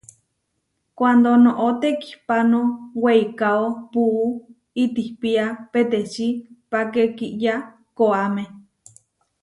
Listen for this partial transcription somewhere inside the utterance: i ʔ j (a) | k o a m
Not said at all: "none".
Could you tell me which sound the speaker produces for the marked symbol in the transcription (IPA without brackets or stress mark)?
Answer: a